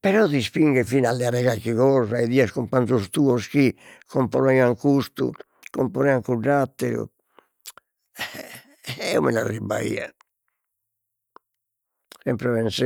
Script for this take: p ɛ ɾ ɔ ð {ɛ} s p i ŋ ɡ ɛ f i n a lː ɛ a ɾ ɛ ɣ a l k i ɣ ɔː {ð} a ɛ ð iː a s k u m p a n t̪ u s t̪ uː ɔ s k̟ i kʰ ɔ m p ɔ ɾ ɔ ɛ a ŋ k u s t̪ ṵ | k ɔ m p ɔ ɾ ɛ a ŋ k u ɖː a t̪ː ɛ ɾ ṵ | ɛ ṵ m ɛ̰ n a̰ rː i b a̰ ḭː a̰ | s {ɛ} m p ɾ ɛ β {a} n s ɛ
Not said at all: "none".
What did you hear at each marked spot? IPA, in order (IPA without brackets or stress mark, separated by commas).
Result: i, z, ɛ, ɛ